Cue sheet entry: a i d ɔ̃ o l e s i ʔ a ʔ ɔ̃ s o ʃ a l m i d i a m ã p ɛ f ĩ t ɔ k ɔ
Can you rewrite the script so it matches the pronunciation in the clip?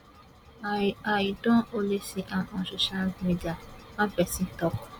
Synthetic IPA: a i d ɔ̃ o l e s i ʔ a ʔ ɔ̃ s o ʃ a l m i d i a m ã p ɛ s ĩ t ɔ k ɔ